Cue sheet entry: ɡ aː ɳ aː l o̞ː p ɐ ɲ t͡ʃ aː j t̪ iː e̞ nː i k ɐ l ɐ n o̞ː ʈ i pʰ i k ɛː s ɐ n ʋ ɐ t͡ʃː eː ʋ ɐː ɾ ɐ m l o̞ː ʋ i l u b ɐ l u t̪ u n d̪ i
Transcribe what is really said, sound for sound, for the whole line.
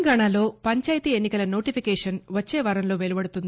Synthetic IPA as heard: ɡ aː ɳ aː l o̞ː p ɐ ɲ t͡ʃ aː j t̪ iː e̞ nː i k ɐ l ɐ n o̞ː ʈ i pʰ i k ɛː ʂ ɐ n ʋ ɐ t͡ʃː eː ʋ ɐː ɾ ɐ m l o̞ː ʋ e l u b ɐ ɽ u t̪ u n d̪ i